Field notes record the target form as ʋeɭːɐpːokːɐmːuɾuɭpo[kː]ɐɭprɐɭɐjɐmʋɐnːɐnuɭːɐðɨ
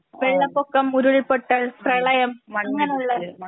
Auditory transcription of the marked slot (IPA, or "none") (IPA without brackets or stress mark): ʈː